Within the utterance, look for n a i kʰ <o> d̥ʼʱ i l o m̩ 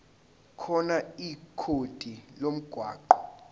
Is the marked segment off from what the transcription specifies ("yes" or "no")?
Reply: no